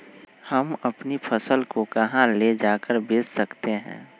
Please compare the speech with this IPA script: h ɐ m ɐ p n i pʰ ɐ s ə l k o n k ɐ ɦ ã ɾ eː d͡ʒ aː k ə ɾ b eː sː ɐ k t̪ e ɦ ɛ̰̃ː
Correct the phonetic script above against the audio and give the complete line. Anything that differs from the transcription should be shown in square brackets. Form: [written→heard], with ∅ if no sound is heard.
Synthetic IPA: h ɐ m ɐ p n i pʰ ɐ s ə l k o [n→∅] k ɐ ɦ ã [ɾ→l] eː d͡ʒ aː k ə ɾ b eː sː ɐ k t̪ e ɦ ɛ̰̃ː